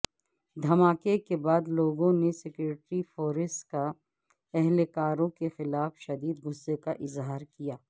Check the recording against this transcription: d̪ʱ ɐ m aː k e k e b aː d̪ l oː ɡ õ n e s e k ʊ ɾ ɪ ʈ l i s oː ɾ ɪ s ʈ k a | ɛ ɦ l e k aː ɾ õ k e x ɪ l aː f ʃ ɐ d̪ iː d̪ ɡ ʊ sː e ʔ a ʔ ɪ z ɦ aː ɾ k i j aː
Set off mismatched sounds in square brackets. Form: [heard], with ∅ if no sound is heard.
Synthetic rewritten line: d̪ʱ ɐ m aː k e k e b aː d̪ l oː ɡ õ n e s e k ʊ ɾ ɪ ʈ [ɾ] i [f] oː ɾ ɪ s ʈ k a | ɛ ɦ l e k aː ɾ õ k e x ɪ l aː f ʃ ɐ d̪ iː d̪ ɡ ʊ sː e [k] a ʔ ɪ z ɦ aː ɾ k i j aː